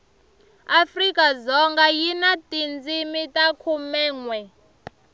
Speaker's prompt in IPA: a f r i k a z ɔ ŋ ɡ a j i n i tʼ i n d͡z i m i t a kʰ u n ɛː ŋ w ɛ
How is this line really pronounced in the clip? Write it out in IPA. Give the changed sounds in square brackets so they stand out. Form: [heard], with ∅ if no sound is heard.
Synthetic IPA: a f r i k a z ɔ ŋ ɡ a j i n [a] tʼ i n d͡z i m i t a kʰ u [m] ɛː ŋ w ɛ